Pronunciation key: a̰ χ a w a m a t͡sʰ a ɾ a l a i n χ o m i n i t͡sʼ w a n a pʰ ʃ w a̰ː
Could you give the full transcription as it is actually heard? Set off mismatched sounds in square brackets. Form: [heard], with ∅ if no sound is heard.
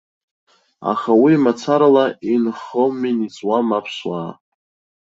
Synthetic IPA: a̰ χ a w [i] m a t͡sʰ a ɾ a l a i n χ o m i n i t͡sʼ w a [m] a pʰ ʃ w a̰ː